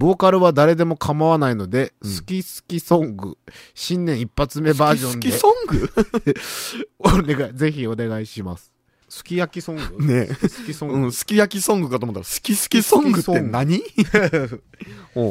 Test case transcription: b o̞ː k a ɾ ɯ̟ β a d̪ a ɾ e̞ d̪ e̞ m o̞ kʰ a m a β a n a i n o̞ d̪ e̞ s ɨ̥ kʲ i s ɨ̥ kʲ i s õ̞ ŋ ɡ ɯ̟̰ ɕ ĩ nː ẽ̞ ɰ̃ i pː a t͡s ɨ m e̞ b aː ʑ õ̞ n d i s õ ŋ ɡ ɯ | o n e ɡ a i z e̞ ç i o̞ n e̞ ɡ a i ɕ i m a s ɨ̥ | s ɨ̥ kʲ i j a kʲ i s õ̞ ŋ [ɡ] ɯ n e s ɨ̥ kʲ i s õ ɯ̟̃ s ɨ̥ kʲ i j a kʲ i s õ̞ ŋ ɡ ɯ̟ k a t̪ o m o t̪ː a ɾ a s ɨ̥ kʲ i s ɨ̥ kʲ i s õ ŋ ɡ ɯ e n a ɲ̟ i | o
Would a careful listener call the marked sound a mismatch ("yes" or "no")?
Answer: no